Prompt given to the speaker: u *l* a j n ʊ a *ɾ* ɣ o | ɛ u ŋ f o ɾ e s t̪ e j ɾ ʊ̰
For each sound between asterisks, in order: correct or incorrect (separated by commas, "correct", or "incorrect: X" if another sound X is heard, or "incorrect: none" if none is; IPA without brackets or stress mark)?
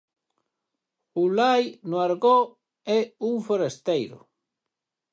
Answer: correct, correct